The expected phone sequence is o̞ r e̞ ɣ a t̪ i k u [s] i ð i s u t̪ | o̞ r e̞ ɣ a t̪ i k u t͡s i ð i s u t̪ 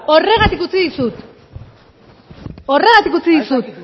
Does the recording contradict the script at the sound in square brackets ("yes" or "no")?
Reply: yes